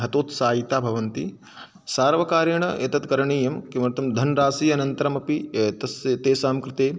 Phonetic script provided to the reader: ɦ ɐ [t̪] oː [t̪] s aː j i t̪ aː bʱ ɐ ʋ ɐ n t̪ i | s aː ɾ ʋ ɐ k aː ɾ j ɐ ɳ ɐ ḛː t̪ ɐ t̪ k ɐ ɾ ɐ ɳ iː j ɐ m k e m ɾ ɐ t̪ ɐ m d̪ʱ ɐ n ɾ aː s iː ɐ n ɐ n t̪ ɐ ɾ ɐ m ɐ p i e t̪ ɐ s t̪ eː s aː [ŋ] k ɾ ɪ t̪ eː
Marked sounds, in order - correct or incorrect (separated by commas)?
correct, correct, incorrect